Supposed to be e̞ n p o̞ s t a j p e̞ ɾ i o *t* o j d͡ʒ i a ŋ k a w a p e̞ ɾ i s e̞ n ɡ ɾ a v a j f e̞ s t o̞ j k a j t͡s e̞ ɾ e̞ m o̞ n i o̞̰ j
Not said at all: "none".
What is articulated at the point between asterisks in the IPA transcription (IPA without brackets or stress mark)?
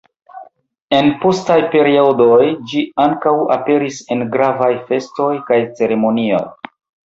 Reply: d